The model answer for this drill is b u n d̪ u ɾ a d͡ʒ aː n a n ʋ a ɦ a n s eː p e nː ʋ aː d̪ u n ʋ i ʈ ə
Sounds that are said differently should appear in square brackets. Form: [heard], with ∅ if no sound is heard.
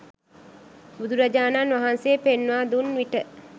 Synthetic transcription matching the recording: b u [∅] d̪ u ɾ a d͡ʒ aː n a n ʋ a ɦ a n s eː p e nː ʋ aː d̪ u n ʋ i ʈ ə